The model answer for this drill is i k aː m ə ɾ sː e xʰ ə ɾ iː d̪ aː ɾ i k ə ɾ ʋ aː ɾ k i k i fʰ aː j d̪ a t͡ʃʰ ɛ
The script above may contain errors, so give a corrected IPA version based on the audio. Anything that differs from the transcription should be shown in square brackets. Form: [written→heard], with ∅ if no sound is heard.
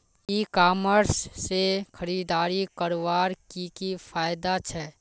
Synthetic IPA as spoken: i k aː m ə ɾ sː e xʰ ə ɾ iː d̪ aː ɾ i k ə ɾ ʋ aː ɾ k i k i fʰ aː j d̪ a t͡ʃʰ ɛ